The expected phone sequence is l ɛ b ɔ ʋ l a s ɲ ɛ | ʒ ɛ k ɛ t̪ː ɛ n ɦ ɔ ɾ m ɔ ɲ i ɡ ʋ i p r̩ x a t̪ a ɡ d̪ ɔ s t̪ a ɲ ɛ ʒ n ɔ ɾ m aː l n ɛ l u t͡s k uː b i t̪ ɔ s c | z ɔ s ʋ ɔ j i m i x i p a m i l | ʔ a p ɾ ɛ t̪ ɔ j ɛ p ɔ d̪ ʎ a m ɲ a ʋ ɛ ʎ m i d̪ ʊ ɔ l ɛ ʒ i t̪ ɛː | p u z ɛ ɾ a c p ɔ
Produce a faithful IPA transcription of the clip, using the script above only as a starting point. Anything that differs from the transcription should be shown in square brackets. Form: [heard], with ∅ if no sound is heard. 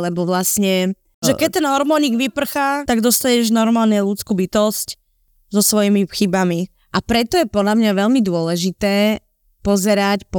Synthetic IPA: l ɛ b ɔ ʋ l a s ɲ ɛ | ʒ ɛ k ɛ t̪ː ɛ n ɦ ɔ ɾ m ɔ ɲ i ɡ ʋ i p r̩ x a t̪ a ɡ d̪ ɔ s t̪ a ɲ ɛ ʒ n ɔ ɾ m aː l n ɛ l u t͡s k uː b i t̪ ɔ s c | z ɔ s ʋ ɔ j i m i x i [b] a m i [∅] | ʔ a p ɾ ɛ t̪ ɔ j ɛ p ɔ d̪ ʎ a m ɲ a ʋ ɛ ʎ m i d̪ ʊ ɔ l ɛ ʒ i t̪ ɛː | p [ɔ] z ɛ ɾ a c p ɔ